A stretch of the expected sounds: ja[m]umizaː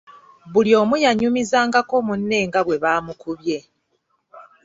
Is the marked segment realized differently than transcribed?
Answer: yes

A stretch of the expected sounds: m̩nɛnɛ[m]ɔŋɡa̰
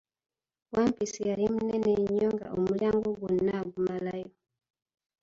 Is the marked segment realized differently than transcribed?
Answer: yes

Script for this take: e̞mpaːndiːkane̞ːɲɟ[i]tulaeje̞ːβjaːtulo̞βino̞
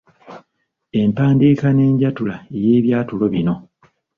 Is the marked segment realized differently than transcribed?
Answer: yes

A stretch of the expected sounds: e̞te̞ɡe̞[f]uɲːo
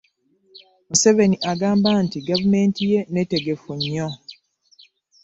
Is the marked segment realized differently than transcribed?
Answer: no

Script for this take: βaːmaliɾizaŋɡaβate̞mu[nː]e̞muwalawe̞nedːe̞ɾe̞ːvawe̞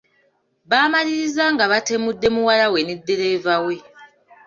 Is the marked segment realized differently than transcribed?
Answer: yes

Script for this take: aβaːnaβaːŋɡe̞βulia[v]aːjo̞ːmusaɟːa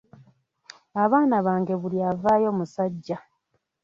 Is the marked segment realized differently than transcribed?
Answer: no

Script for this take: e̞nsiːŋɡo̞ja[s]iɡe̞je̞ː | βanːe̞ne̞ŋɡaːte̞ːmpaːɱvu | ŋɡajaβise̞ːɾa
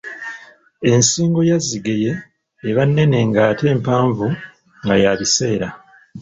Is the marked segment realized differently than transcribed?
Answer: yes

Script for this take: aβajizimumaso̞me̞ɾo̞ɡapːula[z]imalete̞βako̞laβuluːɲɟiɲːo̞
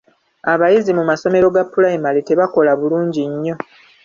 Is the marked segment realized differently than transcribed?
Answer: yes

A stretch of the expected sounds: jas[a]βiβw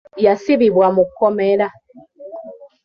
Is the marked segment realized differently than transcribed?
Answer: yes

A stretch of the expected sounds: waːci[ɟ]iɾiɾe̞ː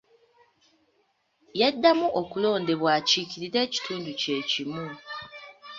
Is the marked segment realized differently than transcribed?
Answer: yes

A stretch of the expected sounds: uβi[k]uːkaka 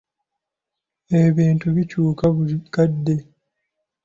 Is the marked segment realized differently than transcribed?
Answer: yes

